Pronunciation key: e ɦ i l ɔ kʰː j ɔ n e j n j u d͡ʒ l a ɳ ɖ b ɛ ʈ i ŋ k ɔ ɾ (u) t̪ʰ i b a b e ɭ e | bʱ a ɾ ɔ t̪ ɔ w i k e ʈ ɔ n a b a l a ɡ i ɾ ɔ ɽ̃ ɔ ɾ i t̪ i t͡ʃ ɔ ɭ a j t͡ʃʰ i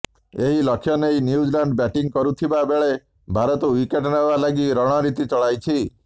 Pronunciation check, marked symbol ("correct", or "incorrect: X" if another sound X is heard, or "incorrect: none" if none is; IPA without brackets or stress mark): correct